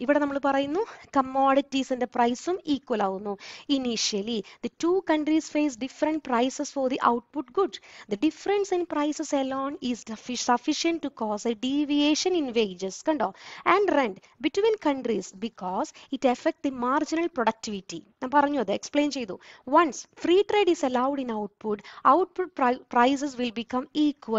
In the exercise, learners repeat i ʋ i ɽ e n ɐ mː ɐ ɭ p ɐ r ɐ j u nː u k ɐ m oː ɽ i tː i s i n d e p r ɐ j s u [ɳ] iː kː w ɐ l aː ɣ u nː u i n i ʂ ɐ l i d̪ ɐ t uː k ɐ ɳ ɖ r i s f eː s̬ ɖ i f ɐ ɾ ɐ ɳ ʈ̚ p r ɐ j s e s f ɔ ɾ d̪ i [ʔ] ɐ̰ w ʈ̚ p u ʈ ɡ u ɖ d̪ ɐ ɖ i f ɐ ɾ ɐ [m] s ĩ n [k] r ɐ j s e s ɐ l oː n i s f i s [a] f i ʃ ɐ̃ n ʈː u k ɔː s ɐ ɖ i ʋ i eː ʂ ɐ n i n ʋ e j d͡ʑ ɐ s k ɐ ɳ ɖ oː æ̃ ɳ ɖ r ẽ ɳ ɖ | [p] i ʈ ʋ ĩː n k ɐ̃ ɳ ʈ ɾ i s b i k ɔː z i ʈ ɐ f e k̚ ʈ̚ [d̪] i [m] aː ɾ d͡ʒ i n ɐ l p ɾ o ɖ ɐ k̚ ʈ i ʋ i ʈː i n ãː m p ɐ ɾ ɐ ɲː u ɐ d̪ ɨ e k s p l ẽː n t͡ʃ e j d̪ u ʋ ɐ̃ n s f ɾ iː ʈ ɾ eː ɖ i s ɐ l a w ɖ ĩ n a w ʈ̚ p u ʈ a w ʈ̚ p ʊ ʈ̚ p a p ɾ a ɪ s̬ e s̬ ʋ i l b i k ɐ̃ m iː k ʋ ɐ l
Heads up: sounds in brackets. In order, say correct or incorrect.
incorrect: m, correct, incorrect: n, incorrect: p, incorrect: ɐ, incorrect: b, correct, correct

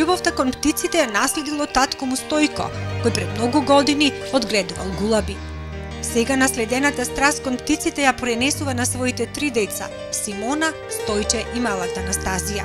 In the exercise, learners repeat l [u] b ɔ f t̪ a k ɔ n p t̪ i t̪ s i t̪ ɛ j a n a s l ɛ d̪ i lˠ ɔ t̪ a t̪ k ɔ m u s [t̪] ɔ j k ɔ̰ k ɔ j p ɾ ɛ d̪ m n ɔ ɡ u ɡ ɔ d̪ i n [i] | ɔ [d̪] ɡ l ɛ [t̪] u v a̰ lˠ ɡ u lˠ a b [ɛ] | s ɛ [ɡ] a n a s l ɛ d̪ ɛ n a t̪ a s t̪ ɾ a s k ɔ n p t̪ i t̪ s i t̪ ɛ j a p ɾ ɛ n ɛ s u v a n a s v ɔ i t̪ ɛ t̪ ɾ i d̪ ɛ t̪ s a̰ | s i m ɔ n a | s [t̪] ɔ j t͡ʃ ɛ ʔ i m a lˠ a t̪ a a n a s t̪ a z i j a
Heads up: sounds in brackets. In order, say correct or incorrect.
correct, correct, correct, correct, incorrect: d̪, incorrect: i, correct, correct

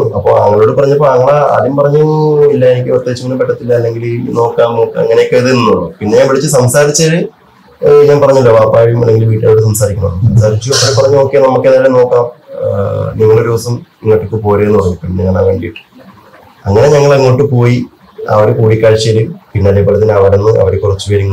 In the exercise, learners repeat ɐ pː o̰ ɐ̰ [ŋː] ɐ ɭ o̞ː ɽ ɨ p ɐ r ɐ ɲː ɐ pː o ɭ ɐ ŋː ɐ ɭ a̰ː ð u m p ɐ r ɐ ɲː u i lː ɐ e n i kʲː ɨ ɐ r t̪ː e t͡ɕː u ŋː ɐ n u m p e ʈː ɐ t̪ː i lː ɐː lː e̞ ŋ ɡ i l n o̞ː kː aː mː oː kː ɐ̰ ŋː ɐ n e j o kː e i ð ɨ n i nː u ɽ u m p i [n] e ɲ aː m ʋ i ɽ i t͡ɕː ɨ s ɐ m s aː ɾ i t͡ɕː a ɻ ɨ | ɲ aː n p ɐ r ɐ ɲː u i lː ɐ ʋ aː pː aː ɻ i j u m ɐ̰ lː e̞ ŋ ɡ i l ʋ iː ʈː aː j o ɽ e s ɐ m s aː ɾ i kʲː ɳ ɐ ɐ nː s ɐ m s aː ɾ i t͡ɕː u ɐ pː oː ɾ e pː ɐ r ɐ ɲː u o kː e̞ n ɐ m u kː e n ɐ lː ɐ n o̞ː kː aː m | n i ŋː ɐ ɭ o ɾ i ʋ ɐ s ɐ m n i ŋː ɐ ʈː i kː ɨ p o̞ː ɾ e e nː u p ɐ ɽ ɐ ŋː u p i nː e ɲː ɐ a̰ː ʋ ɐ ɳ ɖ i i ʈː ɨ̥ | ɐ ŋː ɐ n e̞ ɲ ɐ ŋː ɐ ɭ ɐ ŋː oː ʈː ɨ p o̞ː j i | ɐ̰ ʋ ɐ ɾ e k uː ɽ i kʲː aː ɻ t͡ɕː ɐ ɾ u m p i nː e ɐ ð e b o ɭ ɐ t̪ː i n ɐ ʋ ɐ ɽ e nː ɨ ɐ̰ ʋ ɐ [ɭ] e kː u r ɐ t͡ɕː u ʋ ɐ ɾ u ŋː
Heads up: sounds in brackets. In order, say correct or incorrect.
correct, incorrect: nː, incorrect: ɾ

